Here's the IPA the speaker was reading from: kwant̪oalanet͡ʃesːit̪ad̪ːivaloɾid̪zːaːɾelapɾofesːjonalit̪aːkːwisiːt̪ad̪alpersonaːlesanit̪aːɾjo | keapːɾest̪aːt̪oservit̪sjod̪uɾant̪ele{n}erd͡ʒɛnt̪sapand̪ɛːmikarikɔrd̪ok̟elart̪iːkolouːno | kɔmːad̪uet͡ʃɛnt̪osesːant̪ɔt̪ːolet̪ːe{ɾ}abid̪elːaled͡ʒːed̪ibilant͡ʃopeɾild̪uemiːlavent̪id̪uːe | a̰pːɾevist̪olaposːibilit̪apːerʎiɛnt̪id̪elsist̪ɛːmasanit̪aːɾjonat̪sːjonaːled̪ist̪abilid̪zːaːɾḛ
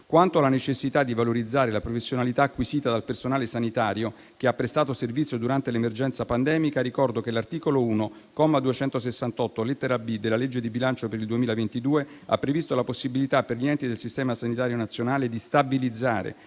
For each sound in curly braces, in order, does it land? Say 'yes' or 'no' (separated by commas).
no, yes